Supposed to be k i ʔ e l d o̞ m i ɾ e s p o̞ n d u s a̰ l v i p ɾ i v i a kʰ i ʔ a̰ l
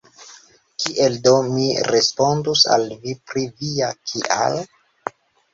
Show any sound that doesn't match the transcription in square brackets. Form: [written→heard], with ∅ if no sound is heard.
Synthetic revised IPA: k i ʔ e l d o̞ m i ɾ e s p o̞ n d u s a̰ l v i p ɾ i v i a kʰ i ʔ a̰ l